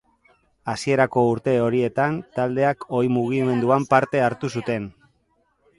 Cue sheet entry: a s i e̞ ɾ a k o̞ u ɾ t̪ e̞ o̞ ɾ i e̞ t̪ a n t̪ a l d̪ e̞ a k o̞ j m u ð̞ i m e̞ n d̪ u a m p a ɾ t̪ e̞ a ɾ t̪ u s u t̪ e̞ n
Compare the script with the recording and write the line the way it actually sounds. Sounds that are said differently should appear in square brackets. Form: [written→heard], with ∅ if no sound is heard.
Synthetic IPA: a s i e̞ ɾ a k o̞ u ɾ t̪ e̞ o̞ ɾ i e̞ t̪ a n t̪ a l d̪ e̞ a k o̞ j m u [ð̞→ɣ̞] i m e̞ n d̪ u a m p a ɾ t̪ e̞ a ɾ t̪ u s u t̪ e̞ n